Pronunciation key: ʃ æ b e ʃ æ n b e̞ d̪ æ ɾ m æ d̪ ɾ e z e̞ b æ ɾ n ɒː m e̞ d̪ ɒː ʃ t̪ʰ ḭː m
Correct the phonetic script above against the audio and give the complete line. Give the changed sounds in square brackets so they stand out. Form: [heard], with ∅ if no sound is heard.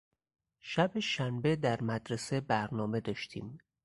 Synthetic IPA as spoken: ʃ æ b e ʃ æ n b e̞ d̪ æ ɾ m æ d̪ ɾ e [s] e̞ b æ ɾ n ɒː m e̞ d̪ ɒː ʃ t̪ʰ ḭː m